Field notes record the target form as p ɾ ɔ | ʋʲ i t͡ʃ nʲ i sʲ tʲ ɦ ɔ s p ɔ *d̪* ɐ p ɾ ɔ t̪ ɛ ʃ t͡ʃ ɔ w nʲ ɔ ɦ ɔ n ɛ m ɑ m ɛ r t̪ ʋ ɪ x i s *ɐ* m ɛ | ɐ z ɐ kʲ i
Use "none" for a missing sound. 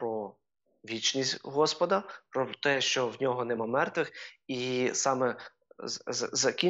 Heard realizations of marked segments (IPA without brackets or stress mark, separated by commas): d̪, ɑ